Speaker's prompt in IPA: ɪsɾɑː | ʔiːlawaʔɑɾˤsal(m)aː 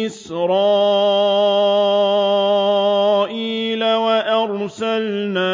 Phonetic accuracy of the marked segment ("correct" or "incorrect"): incorrect